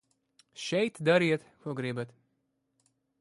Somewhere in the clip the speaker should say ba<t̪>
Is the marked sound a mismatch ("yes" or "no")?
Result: no